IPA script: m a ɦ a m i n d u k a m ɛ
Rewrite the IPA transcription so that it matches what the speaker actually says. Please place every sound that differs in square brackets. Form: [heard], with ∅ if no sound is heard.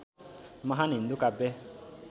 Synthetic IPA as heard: m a ɦ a [n] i n d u k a [b] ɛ